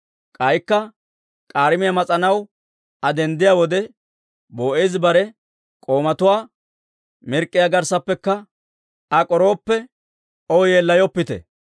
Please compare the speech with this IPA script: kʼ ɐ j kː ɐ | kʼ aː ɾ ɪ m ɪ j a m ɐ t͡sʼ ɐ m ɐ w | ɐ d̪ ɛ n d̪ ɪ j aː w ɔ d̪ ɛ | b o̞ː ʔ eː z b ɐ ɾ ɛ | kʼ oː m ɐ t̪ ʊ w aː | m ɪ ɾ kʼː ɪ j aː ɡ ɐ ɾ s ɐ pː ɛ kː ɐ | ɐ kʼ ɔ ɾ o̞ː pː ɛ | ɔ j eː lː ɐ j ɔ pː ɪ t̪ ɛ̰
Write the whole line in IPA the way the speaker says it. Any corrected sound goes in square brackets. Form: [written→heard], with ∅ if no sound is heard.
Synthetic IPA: kʼ ɐ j kː ɐ | kʼ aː ɾ ɪ m ɪ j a m ɐ t͡sʼ ɐ [m→n] ɐ w | ɐ d̪ ɛ n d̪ ɪ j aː w ɔ d̪ ɛ | b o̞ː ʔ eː z b ɐ ɾ ɛ | kʼ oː m ɐ t̪ ʊ w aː | m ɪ ɾ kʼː ɪ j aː ɡ ɐ ɾ s ɐ pː ɛ kː ɐ | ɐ kʼ ɔ ɾ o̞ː pː ɛ | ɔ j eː lː ɐ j ɔ pː ɪ t̪ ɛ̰